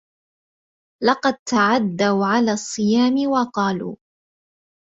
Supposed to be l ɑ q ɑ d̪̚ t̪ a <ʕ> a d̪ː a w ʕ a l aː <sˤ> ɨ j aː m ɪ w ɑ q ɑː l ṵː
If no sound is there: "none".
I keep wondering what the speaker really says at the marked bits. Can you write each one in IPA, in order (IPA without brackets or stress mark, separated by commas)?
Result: ʕ, sˤː